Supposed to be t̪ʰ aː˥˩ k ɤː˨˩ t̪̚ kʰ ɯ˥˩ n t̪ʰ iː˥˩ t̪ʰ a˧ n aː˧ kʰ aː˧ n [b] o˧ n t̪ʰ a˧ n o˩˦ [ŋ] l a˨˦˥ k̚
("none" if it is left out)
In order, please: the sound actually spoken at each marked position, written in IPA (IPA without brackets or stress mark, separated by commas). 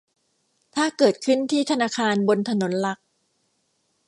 b, n